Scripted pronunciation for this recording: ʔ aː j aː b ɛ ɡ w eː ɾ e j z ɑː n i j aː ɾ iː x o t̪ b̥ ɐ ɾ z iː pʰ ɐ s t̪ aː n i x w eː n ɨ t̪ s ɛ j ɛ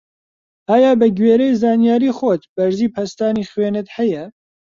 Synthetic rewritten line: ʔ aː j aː b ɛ ɡ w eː ɾ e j z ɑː n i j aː ɾ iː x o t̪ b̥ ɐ ɾ z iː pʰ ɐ s t̪ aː n i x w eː n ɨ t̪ h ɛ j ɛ